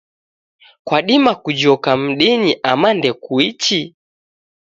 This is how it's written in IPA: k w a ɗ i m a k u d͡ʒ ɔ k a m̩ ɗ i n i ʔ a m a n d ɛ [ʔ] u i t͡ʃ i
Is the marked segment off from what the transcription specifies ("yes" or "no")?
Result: yes